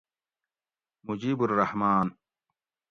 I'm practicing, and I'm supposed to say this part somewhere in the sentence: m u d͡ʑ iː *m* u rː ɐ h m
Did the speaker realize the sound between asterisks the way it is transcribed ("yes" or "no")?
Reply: no